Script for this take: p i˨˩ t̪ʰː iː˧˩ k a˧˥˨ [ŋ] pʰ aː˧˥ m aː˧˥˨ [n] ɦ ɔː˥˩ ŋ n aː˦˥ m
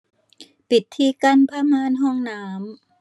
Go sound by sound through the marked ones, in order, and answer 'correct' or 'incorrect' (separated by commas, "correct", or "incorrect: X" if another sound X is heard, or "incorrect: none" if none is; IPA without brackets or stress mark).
incorrect: n, correct